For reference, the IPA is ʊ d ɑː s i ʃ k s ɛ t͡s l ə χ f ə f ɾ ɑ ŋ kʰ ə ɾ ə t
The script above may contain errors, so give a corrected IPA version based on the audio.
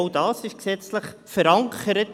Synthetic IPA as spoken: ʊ d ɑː s ɪ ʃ k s ɛ t͡s l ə χ f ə ɾ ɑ ŋ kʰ ə ɾ ə t